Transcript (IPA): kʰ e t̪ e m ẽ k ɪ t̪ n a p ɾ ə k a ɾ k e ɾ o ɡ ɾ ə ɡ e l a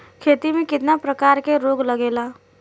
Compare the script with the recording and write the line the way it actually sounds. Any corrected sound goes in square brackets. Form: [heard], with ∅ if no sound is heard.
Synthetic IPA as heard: kʰ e t̪ [i] m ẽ k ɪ t̪ n a p ɾ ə k a ɾ k e ɾ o ɡ [l] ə ɡ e l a